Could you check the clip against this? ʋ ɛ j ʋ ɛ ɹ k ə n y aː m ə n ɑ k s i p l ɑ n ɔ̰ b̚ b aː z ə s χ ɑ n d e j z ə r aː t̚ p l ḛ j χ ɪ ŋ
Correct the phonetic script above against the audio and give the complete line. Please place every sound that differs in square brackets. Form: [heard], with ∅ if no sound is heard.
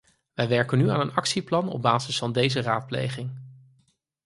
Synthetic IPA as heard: ʋ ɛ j ʋ ɛ ɹ k ə n y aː [n] ə n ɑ k s i p l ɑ n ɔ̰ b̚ b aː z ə s [f] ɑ n d e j z ə r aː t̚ p l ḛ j χ ɪ ŋ